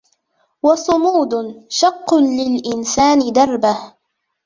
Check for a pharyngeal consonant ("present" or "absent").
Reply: absent